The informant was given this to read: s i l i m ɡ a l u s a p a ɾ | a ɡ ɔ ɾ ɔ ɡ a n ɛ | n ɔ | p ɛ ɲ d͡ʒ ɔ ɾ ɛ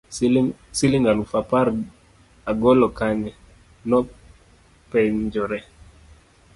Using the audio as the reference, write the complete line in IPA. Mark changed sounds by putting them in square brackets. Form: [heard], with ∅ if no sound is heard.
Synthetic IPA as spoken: s i l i [ŋ] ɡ a l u [f] a p a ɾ | a ɡ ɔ [l] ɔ [k] a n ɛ | n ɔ | p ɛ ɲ d͡ʒ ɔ ɾ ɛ